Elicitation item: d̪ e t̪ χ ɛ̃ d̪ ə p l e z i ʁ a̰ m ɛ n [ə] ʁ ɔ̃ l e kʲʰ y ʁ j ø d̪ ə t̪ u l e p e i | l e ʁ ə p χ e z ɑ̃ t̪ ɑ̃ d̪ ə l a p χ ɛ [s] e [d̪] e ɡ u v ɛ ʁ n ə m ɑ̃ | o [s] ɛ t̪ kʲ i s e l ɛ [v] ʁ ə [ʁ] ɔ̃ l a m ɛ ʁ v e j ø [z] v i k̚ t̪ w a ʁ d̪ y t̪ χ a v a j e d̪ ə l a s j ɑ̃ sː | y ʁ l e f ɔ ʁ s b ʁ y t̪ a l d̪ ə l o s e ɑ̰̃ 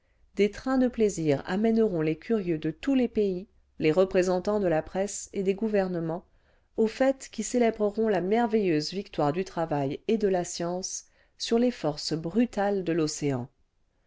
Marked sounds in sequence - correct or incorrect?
correct, correct, correct, incorrect, incorrect, correct, correct

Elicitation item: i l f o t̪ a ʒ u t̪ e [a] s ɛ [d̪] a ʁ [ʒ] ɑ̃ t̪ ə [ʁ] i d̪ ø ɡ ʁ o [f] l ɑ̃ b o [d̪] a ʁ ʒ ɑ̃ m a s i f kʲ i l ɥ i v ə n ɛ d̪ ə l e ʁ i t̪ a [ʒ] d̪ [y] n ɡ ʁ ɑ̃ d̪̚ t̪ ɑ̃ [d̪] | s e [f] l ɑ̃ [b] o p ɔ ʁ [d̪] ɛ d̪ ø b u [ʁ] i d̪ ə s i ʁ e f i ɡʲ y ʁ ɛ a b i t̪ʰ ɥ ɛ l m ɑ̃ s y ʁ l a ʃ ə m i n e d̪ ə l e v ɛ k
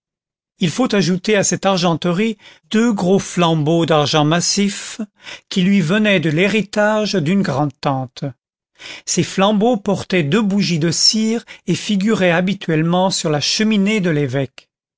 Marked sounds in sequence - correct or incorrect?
correct, incorrect, correct, correct, correct, correct, correct, correct, incorrect, correct, correct, incorrect, incorrect

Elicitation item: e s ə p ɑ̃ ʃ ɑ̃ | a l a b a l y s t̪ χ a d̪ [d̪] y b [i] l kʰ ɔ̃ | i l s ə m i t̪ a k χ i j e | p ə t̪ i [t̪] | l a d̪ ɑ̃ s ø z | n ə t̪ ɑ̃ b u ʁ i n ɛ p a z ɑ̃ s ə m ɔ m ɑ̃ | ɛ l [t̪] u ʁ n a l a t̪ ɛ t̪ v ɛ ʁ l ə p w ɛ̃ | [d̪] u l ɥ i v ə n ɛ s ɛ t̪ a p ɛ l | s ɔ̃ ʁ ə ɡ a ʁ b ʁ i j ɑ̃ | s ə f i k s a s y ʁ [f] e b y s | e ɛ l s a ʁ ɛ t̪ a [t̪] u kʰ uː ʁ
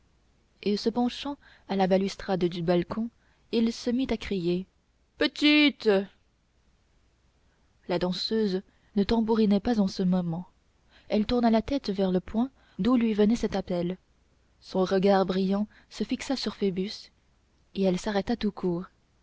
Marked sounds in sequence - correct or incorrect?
correct, incorrect, correct, correct, correct, correct, correct

